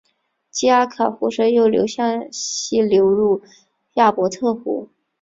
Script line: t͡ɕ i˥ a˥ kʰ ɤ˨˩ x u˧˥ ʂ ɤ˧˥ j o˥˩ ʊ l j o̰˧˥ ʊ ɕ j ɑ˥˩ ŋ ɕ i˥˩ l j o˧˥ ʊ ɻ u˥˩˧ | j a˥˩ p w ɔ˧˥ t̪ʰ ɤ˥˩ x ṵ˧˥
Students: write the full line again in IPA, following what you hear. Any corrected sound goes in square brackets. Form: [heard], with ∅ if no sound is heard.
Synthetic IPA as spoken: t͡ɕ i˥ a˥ kʰ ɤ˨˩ x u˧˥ ʂ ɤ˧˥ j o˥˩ ʊ l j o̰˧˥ ʊ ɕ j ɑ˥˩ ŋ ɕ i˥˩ l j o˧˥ ʊ ɻ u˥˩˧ | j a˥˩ p w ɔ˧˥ t̪ʰ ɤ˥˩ x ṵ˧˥